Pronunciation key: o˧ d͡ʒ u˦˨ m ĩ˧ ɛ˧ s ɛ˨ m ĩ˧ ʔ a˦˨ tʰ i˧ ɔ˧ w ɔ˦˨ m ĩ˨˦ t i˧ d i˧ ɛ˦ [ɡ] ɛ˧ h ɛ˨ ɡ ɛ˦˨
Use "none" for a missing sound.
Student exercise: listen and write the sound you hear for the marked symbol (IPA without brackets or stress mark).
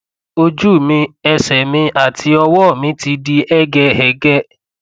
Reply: ɡ